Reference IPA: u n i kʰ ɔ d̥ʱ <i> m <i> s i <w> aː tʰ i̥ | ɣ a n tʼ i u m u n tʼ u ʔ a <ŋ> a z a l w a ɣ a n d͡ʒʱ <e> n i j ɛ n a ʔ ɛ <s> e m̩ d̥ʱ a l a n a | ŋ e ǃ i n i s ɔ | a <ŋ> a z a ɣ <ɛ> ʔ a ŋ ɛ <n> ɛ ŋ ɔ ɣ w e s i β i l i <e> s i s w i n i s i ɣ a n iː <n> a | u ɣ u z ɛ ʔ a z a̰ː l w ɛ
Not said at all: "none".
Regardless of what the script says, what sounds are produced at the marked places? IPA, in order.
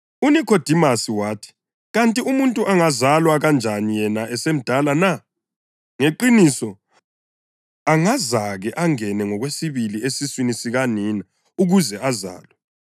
i, a, w, ŋ, a, s, ŋ, ɛ, n, e, n

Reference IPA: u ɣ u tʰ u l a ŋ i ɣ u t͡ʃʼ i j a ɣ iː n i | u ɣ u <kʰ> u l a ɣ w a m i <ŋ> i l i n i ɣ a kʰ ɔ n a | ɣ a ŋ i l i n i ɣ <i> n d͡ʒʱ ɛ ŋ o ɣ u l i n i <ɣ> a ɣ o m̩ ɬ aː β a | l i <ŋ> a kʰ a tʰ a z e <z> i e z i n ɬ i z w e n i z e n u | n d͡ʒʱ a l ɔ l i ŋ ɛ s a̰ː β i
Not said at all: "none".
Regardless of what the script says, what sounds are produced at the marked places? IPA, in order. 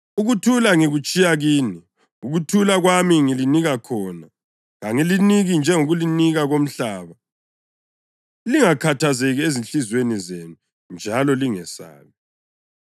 tʰ, ŋ, i, ɣ, ŋ, ɣ

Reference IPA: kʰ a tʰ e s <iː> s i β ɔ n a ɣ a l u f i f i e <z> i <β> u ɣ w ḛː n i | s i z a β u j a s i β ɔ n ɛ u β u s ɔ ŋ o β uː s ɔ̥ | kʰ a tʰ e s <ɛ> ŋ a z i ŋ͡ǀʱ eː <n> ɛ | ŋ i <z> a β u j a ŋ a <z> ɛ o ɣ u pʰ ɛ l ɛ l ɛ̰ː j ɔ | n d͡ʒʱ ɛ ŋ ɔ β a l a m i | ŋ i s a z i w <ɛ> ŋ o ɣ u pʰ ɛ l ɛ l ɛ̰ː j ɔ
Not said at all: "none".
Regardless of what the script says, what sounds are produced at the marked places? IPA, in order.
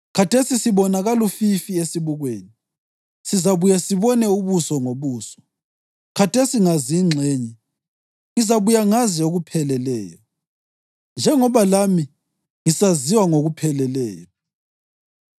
i, s, β, i, ɲ, z, z, a

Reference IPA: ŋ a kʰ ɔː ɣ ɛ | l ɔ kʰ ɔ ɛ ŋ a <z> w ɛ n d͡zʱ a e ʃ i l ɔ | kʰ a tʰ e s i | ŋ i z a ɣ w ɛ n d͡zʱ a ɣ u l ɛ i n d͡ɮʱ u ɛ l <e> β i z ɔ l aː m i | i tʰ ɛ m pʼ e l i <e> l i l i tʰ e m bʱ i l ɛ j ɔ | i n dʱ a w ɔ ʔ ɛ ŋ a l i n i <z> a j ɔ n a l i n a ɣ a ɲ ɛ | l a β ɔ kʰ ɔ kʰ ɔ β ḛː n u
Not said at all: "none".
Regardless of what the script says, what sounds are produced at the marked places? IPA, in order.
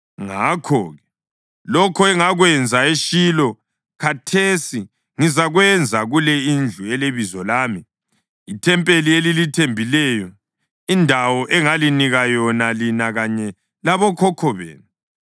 ɣ, e, e, ɣ

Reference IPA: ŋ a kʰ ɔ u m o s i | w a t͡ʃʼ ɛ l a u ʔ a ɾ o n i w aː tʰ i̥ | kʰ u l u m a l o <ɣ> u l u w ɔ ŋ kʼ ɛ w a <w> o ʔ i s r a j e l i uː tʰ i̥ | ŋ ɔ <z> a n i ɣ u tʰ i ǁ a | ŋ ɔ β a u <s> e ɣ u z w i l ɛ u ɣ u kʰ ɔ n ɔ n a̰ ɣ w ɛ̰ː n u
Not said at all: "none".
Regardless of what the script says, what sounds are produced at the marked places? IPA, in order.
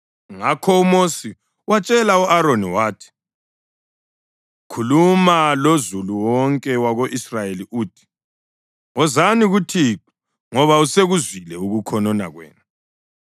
z, ɣ, z, s

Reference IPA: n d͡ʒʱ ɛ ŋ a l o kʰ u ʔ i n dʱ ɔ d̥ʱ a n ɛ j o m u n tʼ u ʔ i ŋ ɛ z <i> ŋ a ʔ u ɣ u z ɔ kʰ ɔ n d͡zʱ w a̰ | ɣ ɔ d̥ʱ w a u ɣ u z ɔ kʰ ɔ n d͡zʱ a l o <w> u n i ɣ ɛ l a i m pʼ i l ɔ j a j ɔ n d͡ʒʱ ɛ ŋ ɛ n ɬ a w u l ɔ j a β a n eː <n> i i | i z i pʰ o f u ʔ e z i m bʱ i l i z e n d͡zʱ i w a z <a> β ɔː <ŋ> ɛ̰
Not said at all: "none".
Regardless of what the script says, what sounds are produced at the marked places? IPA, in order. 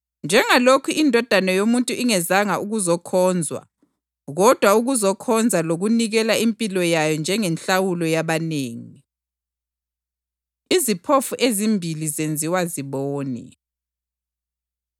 a, ɣ, ŋ, i, n

